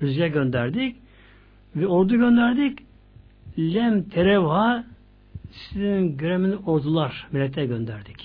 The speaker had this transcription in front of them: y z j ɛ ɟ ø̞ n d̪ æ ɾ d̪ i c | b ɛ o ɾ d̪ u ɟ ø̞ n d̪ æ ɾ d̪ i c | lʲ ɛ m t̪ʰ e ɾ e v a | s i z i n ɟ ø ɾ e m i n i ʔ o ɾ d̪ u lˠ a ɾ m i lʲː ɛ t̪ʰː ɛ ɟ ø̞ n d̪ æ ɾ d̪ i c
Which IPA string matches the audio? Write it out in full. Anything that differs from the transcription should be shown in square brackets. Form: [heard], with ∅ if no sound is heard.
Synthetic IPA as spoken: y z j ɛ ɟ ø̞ n d̪ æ ɾ d̪ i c | [v] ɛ o ɾ d̪ u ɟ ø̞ n d̪ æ ɾ d̪ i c | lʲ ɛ m t̪ʰ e ɾ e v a | s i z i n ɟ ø ɾ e m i n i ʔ o ɾ d̪ u lˠ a ɾ m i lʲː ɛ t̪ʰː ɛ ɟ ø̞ n d̪ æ ɾ d̪ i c